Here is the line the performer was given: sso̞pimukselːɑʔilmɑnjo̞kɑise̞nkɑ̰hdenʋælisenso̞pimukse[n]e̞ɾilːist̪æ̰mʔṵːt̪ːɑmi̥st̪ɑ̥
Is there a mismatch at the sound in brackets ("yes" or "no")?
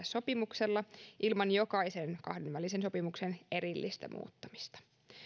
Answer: no